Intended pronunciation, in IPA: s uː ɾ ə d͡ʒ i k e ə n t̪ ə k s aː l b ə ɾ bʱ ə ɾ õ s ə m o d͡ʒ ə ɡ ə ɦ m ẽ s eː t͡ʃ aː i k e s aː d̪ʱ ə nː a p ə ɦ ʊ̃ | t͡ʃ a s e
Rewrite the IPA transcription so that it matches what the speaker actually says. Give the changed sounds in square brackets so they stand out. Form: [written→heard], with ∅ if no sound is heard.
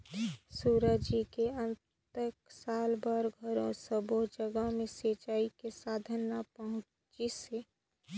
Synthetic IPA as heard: s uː ɾ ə d͡ʒ i k e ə n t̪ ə k s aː l b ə ɾ [bʱ→ɡʱ] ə ɾ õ s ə [m→b] o d͡ʒ ə ɡ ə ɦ m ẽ s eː t͡ʃ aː i k e s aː d̪ʱ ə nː a p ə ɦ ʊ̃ | t͡ʃ [a→i] s e